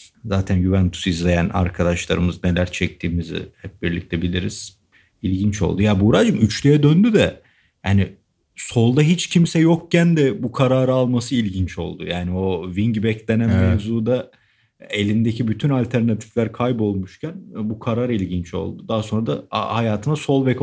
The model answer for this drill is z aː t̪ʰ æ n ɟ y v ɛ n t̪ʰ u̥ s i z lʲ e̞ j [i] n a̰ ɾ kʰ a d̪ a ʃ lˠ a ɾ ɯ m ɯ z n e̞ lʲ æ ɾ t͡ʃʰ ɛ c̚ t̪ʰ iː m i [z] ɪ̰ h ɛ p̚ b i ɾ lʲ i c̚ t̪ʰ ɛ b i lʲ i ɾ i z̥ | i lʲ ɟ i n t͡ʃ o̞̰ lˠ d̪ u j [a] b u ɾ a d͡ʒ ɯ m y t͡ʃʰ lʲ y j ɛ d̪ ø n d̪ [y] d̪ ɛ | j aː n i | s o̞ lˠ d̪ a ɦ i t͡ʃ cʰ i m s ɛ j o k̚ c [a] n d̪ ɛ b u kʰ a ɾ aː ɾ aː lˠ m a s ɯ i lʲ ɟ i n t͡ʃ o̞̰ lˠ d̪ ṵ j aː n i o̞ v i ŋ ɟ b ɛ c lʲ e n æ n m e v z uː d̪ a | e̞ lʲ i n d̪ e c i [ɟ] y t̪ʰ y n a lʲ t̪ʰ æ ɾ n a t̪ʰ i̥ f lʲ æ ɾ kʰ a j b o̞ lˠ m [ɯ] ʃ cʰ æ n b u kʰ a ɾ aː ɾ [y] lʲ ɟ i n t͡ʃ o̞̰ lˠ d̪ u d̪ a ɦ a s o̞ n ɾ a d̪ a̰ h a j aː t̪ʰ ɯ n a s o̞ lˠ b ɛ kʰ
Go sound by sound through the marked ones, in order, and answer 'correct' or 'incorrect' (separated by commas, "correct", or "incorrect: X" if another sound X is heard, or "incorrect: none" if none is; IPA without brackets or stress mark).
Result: incorrect: æ, correct, correct, correct, incorrect: æ, incorrect: b, incorrect: u, incorrect: i